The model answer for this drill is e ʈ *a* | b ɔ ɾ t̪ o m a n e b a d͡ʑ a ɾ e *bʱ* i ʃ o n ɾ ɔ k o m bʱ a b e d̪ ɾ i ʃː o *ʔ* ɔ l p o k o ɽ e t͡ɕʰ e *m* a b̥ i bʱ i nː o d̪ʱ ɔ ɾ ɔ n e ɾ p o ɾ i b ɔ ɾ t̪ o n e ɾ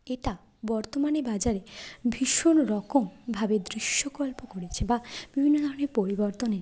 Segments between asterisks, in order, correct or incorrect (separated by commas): correct, correct, incorrect, incorrect